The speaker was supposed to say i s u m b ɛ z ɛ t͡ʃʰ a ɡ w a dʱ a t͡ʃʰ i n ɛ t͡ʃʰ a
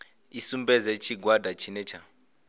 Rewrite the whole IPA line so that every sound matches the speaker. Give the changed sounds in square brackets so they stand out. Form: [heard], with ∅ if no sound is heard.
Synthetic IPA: i s u m b ɛ z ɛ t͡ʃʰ [i] ɡ w a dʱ a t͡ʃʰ i n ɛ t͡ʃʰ a